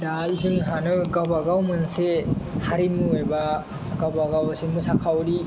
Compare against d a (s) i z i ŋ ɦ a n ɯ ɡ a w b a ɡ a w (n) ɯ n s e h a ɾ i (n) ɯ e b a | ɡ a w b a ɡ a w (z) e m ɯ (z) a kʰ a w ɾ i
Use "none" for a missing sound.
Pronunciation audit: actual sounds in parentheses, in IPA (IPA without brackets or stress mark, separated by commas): none, m, m, s, s